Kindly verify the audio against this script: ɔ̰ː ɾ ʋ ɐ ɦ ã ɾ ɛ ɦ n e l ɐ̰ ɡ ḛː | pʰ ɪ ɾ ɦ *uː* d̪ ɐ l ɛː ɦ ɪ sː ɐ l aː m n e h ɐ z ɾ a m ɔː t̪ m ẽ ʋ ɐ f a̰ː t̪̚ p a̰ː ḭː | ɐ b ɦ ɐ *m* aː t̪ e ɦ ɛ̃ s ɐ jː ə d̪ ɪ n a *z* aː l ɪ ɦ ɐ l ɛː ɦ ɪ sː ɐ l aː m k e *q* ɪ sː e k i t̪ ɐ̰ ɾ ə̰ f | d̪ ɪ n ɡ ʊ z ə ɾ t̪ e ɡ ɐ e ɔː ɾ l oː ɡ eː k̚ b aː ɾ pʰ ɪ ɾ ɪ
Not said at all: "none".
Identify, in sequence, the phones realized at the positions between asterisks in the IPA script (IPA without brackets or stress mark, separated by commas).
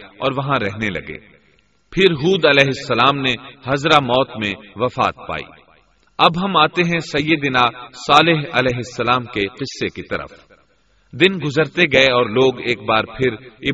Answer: uː, m, s, q